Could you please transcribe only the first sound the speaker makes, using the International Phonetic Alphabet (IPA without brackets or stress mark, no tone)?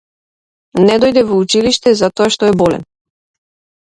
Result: n